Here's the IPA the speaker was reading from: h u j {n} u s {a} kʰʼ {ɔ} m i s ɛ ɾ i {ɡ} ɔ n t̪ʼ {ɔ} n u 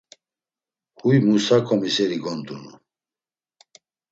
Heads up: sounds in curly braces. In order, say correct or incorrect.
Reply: incorrect: m, correct, correct, correct, incorrect: u

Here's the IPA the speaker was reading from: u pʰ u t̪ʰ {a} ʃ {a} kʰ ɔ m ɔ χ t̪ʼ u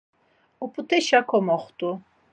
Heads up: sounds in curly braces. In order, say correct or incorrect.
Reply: incorrect: ɛ, correct

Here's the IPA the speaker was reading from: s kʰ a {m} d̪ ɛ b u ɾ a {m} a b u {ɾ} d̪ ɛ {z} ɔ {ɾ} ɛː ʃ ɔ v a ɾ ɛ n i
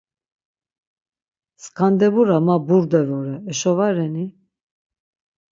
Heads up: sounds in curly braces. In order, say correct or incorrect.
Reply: incorrect: n, correct, correct, incorrect: v, correct

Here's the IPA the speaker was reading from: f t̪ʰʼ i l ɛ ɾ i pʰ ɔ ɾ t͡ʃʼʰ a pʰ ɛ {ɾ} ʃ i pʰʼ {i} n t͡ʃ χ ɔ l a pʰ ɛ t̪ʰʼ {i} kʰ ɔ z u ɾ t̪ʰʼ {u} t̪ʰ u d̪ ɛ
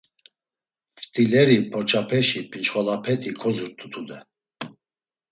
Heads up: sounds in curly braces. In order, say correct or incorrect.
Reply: incorrect: none, correct, correct, correct

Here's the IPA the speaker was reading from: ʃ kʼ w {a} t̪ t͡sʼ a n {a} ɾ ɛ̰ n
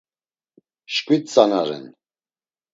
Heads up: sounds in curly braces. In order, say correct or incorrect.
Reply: incorrect: i, correct

